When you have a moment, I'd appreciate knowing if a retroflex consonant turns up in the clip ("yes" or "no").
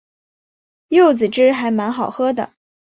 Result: yes